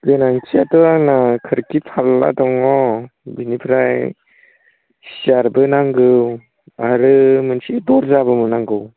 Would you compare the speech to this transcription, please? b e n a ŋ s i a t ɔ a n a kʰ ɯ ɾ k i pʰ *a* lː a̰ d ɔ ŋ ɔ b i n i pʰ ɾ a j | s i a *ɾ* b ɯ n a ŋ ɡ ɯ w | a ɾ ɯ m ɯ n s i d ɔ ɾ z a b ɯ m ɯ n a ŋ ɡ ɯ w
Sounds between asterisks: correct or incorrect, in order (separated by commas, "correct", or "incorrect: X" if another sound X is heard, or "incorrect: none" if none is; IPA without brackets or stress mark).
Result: correct, correct